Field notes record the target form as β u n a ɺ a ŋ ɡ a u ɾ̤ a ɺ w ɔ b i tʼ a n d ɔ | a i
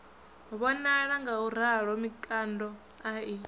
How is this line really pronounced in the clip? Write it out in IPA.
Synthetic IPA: β ɔ n a ɺ a ŋ ɡ a u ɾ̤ a ɺ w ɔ m i kʼ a n d ɔ | a i

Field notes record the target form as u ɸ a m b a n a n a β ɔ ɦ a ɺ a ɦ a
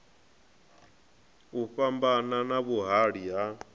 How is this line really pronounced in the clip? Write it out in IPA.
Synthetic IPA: u ɸ a m b a n a n a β u ɦ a ɺ i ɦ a

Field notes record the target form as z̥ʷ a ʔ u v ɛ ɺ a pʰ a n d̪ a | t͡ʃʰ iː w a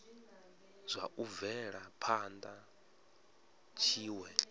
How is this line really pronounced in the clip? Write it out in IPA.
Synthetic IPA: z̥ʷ a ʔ u v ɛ ɺ a pʰ a n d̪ a | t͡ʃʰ iː w ɛ

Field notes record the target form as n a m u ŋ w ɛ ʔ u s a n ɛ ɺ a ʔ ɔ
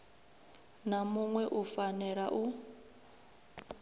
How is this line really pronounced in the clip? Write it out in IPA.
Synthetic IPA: n a m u ŋ w ɛ ʔ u f a n ɛ ɺ a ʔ u

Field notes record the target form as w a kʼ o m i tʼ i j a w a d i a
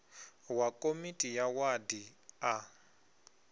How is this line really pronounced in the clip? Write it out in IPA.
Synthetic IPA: w a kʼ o m i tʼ i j a w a d i a

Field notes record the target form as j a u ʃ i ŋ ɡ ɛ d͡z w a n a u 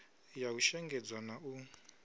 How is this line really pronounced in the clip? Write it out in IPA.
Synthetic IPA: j a u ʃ ɛ ŋ ɡ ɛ d͡z w a n a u

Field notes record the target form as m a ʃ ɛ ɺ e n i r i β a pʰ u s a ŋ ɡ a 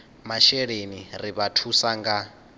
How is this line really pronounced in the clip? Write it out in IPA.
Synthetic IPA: m a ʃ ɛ ɺ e n i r i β a tʰ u s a ŋ ɡ a

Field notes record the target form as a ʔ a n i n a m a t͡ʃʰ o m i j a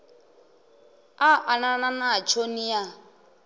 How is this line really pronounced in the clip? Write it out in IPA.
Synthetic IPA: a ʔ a n a n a n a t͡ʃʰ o n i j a

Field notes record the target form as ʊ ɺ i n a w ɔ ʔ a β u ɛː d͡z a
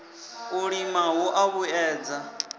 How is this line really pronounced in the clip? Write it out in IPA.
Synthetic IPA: u ɺ i m a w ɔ ʔ a β u ɛː d͡z a

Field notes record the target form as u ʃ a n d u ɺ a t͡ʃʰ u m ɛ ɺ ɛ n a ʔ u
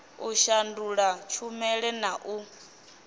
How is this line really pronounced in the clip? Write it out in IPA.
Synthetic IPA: u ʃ a n d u ɺ a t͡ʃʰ u m ɛ ɺ ɛ n a ʔ u

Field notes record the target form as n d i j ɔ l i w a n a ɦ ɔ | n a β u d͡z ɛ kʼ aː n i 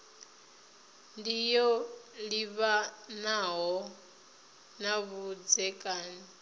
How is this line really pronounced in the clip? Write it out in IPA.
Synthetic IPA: n d i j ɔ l i β a n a ɦ ɔ | n a β u d͡z ɛ kʼ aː n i

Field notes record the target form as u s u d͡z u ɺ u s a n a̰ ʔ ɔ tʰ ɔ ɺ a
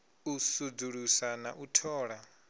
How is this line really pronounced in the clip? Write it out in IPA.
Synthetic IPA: u s u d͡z u ɺ u s a n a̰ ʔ u tʰ ɔː ɺ a

